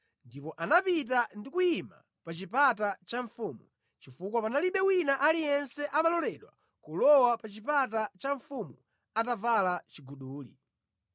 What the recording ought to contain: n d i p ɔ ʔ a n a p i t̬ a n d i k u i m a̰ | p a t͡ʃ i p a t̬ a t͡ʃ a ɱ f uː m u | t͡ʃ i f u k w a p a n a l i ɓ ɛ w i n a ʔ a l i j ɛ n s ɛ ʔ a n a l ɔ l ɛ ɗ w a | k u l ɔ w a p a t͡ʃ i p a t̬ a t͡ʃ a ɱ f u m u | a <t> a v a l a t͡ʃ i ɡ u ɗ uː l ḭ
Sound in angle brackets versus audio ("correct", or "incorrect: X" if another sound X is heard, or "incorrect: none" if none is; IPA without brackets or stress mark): correct